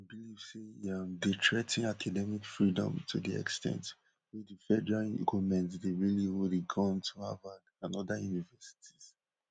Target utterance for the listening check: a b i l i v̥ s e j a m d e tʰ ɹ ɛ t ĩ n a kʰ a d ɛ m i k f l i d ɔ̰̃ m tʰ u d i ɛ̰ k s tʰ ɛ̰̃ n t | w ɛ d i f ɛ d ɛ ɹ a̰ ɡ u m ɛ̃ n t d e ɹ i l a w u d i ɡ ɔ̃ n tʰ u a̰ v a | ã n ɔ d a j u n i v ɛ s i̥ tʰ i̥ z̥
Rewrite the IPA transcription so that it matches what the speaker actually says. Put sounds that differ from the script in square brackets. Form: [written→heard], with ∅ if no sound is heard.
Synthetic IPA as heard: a b i l i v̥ s e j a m d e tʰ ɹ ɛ t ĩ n a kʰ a d ɛ m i k f [l→ɹ] i d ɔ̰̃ m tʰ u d i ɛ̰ k s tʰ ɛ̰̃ n t | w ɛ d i f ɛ d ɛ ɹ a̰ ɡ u m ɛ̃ n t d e ɹ i l [a→i] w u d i ɡ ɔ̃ n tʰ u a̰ v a | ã n ɔ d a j u n i v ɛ s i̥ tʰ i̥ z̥